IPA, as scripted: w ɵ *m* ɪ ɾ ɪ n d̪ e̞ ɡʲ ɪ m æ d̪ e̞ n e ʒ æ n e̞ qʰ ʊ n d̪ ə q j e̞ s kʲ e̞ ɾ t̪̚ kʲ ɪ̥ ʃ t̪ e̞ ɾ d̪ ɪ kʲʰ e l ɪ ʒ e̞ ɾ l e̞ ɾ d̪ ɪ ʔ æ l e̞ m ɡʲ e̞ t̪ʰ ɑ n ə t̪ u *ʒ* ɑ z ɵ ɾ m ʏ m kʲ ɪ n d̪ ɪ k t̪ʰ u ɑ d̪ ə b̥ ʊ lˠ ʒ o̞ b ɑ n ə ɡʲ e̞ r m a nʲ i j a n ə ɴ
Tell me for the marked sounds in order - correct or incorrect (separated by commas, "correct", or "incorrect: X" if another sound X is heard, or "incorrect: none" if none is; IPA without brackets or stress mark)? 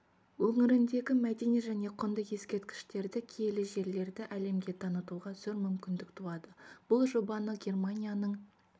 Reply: incorrect: ŋ, incorrect: ʁ